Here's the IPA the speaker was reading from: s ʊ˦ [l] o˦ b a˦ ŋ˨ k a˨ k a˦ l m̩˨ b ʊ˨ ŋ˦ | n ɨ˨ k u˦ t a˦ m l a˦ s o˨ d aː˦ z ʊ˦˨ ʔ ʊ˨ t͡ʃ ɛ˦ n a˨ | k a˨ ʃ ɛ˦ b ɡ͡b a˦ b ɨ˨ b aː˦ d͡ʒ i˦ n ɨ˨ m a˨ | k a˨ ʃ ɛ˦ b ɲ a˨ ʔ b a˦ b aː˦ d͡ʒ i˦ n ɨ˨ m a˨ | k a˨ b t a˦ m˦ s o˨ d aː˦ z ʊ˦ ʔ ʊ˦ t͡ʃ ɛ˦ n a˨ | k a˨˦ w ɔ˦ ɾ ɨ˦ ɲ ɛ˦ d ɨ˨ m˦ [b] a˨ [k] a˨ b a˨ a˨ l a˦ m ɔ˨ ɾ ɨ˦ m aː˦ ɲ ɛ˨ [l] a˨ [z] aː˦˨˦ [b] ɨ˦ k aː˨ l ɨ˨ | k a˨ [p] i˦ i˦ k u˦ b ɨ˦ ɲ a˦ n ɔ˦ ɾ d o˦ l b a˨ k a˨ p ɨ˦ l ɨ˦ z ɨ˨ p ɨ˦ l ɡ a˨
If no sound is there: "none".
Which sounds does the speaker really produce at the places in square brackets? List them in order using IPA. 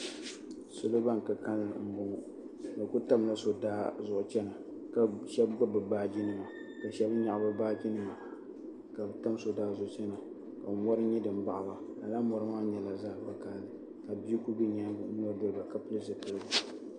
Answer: l, b, ʔ, l, z, b, b

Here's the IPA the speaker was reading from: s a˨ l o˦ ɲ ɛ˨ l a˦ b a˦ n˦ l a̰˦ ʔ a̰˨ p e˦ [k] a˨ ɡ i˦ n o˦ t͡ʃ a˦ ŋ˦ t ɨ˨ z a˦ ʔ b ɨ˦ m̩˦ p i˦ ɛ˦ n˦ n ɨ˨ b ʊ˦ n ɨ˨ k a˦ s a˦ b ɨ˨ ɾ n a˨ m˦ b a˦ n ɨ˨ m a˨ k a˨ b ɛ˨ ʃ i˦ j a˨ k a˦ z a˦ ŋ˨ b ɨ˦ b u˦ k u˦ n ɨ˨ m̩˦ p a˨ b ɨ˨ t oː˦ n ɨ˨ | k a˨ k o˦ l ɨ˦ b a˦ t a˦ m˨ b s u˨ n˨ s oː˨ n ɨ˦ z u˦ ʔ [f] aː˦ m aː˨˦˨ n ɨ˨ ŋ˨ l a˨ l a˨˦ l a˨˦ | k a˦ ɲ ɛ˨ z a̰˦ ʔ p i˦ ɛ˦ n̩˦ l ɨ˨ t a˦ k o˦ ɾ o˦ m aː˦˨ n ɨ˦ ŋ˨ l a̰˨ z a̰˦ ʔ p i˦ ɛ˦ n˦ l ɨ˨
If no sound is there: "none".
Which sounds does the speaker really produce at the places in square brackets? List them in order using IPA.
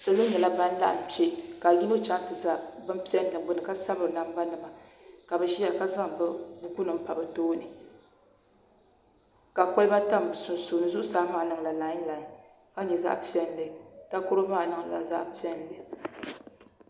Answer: k, s

